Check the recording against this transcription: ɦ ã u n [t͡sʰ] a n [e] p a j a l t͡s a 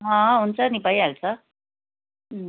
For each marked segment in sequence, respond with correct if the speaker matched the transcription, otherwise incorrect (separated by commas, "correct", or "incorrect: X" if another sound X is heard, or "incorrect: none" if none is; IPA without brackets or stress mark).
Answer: incorrect: t͡s, incorrect: i